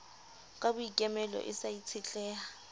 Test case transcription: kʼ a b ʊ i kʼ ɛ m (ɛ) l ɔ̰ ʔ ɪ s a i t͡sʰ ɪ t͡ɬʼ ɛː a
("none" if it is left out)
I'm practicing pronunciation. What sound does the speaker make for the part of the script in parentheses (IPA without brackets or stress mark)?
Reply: ɛ